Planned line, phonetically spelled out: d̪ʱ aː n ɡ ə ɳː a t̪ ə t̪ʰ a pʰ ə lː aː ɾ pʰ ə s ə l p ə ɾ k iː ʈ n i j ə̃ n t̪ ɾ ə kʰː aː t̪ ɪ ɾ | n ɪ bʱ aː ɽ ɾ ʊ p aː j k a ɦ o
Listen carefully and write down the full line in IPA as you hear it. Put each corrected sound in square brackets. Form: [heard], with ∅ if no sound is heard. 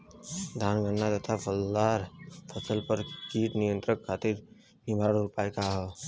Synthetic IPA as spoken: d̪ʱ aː n ɡ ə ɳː a t̪ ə t̪ʰ a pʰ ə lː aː ɾ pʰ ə s ə l p ə ɾ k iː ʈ n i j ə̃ n t̪ ɾ ə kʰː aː t̪ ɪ ɾ | n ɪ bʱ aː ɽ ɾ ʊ p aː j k a ɦ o